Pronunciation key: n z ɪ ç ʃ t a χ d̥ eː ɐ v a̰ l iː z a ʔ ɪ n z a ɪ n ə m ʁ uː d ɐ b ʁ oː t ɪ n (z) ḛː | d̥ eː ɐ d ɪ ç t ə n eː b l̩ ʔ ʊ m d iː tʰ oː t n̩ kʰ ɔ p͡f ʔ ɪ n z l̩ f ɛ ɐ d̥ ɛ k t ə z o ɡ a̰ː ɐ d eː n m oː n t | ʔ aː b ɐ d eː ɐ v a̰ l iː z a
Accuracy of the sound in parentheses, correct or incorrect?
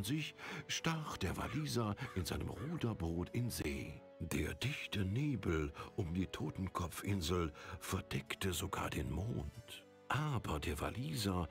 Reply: correct